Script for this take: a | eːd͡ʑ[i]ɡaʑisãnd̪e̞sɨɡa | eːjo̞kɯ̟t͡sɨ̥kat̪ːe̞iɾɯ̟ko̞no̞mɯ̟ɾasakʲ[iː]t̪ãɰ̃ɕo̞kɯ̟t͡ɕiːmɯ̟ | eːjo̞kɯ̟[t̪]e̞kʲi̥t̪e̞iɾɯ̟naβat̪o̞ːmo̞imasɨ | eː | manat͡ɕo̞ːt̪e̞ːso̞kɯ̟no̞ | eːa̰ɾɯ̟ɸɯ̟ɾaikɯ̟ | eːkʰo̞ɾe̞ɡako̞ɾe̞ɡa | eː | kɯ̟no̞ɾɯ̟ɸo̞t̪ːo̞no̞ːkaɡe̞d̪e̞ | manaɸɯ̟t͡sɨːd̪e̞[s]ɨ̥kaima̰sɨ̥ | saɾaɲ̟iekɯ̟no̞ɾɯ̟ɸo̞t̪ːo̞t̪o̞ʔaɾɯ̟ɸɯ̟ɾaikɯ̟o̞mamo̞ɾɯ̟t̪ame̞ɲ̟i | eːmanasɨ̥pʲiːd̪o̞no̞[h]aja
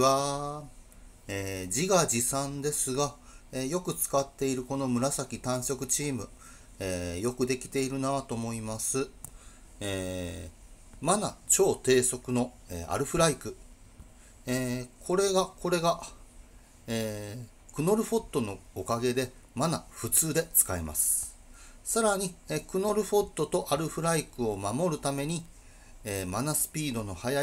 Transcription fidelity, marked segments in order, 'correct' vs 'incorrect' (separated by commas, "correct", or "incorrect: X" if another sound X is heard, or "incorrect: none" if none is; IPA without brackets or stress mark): correct, incorrect: i, incorrect: d̪, incorrect: t͡s, correct